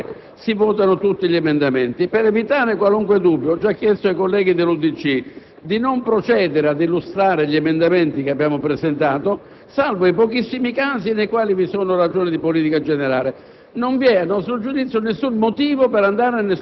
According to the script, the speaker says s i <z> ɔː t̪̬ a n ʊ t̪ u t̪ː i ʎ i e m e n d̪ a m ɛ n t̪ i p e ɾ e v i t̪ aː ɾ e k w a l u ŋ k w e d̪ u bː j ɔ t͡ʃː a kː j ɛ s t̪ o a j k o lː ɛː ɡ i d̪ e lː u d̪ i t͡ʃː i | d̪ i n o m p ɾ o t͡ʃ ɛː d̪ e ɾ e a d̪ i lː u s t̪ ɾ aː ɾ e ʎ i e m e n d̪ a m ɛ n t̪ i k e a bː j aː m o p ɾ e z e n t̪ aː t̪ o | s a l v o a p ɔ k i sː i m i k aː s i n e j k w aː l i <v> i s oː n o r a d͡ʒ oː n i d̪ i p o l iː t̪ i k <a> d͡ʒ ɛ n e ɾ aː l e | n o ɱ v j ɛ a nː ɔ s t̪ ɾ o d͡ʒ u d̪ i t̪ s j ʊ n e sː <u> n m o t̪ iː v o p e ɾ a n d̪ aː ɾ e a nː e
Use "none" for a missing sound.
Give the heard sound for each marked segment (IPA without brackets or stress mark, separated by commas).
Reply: v, v, a, u